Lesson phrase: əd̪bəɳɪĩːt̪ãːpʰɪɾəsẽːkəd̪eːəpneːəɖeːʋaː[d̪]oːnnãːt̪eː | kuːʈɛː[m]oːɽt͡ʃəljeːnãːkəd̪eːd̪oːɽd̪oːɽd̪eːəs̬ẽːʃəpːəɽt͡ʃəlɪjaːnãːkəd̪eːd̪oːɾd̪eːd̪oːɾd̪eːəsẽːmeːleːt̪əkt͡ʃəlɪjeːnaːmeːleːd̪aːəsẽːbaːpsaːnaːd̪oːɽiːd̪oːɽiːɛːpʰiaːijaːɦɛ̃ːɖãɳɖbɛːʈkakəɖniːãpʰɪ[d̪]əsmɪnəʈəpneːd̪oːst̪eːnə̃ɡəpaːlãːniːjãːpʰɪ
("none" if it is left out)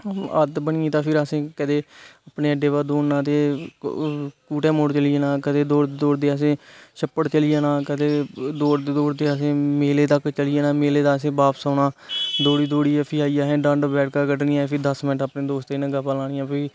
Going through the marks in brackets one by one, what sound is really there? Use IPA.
d̪, m, d̪

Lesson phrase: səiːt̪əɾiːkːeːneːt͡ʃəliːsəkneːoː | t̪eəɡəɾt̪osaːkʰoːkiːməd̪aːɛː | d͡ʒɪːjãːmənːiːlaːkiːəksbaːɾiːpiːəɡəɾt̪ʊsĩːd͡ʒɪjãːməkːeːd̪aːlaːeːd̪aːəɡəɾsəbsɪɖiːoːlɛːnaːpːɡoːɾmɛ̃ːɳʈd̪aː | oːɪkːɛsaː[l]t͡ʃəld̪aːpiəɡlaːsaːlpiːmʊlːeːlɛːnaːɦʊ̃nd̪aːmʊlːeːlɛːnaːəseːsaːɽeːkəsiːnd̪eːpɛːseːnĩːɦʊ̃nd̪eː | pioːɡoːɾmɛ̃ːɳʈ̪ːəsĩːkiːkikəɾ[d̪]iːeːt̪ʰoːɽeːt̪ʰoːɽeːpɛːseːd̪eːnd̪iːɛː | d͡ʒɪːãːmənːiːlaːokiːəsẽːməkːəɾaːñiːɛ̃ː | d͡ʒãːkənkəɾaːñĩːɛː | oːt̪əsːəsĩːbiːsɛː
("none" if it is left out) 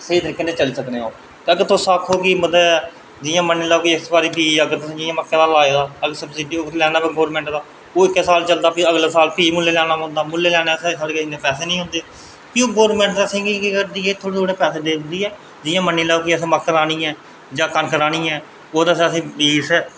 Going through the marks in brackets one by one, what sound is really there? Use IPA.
l, d̪

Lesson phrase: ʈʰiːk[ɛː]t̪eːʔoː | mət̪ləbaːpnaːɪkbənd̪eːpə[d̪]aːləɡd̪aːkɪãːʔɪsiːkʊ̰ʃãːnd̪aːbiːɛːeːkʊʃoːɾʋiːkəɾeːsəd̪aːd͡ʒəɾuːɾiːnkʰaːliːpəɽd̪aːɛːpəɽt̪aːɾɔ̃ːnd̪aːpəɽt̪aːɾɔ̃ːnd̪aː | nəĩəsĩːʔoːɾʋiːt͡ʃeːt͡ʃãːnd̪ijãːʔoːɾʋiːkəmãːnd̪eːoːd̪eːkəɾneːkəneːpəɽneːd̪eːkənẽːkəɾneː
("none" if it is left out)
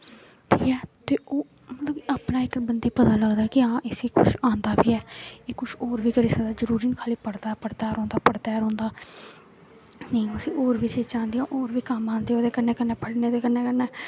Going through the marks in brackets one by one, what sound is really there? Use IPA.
ɛː, t̪

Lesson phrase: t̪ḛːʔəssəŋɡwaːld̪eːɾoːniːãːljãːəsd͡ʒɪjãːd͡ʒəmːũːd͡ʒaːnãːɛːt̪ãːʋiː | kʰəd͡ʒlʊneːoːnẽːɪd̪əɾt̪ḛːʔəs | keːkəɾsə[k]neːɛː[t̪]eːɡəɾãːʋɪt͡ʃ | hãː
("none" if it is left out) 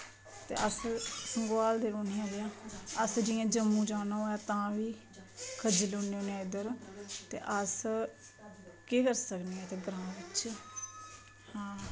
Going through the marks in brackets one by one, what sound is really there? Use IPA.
k, t̪

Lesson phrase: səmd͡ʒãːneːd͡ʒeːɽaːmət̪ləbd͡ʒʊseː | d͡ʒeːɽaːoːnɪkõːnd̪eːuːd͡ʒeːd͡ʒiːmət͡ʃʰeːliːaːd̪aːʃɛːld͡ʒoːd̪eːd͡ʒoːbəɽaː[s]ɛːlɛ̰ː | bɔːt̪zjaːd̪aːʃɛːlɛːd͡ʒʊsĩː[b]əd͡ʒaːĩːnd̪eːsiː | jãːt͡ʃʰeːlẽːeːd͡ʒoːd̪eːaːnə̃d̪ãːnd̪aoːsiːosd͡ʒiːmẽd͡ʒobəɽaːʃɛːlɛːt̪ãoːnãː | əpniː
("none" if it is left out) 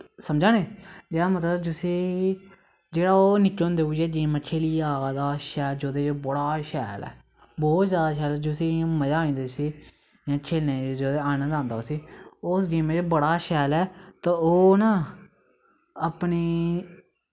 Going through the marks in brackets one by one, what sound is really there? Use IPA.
ʃ, m

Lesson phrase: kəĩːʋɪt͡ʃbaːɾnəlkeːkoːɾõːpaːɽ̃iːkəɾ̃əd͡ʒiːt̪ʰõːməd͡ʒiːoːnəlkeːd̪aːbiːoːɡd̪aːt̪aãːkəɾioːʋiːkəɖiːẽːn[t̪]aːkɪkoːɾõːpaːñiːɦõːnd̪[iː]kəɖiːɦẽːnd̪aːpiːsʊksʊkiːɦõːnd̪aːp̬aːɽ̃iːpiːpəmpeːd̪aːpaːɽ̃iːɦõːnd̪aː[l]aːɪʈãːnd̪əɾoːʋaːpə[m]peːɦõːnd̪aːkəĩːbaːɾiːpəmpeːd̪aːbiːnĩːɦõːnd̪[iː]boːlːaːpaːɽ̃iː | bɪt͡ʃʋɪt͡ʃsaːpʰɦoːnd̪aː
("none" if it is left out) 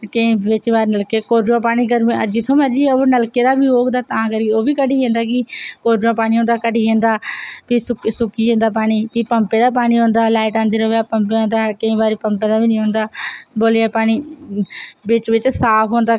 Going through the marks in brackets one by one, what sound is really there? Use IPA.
d̪, aː, l, m, aː

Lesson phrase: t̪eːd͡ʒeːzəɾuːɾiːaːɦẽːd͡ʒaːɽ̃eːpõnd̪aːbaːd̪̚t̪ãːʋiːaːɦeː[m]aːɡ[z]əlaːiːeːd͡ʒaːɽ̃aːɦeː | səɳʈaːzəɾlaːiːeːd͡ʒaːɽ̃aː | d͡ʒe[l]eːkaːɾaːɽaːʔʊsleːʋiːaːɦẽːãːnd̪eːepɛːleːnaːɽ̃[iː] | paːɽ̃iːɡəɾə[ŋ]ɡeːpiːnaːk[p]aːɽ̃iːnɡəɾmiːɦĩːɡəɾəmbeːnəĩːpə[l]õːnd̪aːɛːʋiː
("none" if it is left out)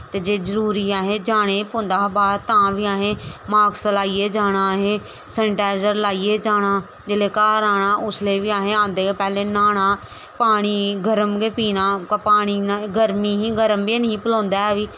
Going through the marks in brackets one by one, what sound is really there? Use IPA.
m, s, l, aː, m, p, l

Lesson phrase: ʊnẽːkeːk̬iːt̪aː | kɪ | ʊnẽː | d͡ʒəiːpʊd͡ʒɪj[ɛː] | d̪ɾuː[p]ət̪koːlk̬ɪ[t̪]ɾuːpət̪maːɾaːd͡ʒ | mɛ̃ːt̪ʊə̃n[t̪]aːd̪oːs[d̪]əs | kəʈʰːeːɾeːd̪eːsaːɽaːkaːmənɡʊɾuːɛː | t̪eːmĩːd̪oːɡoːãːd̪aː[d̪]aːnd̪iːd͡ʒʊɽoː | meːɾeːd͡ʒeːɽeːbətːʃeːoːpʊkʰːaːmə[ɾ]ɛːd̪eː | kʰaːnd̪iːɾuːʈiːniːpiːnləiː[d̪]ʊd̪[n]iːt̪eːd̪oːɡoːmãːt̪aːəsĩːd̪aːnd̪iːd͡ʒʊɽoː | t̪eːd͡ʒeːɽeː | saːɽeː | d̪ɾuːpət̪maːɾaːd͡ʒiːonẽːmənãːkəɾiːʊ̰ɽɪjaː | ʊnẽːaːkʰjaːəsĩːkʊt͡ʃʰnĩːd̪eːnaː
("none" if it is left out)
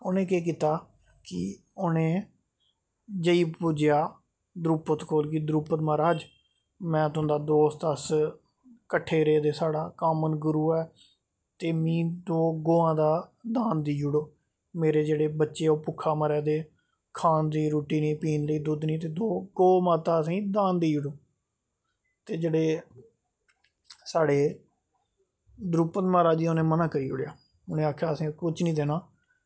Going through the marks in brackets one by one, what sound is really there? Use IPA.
aː, p, d̪, d̪, t̪, d̪, ɾ, d̪, n

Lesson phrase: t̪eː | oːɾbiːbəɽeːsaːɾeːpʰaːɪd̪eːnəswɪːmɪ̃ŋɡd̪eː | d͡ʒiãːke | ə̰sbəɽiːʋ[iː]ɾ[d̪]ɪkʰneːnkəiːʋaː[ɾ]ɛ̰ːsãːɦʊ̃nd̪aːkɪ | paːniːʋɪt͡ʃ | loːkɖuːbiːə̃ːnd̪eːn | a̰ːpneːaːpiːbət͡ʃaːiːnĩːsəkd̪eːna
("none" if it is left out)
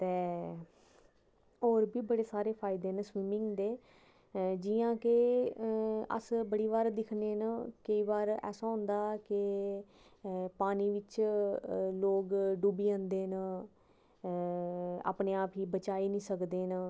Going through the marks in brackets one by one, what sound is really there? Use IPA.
aː, d̪, ɾ

